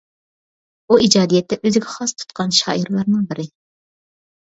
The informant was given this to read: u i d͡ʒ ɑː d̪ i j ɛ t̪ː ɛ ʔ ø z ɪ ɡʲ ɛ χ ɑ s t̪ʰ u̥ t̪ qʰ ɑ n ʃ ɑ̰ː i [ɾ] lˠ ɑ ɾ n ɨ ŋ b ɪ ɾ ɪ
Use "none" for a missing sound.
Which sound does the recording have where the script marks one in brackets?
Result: ɾ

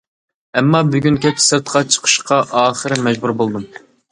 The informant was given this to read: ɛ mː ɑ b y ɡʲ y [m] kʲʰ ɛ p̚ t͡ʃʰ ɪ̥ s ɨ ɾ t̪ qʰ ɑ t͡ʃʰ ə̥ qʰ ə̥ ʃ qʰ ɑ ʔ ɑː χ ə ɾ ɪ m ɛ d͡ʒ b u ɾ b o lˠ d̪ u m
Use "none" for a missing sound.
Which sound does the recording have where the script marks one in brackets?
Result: n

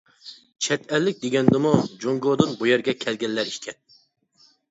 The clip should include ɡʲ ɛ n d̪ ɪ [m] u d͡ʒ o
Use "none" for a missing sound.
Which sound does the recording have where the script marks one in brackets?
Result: m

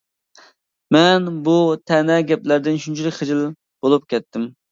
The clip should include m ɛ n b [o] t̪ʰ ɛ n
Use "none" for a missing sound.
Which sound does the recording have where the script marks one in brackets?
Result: u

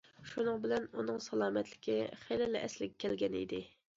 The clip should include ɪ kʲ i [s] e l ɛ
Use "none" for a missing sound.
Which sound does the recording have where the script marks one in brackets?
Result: χ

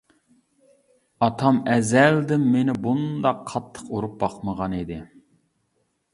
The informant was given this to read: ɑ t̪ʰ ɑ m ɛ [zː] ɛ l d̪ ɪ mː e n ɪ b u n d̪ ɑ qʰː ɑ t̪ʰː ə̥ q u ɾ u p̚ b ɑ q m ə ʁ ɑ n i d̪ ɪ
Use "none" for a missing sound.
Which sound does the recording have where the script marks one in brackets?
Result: z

